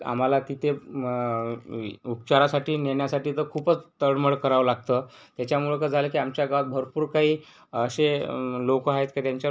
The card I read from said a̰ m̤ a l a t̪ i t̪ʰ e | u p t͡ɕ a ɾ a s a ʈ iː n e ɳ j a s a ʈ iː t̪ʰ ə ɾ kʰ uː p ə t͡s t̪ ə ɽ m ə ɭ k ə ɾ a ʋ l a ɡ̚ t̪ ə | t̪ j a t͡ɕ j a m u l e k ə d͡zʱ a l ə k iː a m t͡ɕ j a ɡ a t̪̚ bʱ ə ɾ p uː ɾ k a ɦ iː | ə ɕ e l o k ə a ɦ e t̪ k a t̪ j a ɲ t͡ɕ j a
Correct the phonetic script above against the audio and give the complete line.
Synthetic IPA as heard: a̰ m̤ a l a t̪ i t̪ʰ e | u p t͡ɕ a ɾ a s a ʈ iː n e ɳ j a s a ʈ iː t̪ ə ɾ kʰ uː p ə t͡s t̪ ə ɽ m ə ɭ k ə ɾ a ʋ l a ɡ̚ t̪ ə | t̪ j a t͡ɕ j a m u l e k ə d͡zʱ a l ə k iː a m t͡ɕ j a ɡ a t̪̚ bʱ ə ɾ p uː ɾ k a ɦ iː | ə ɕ e l o k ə a ɦ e t̪ k a t̪ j a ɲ t͡ɕ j a